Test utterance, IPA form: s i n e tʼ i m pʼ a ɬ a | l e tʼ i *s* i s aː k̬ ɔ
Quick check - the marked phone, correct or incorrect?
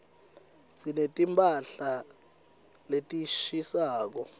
incorrect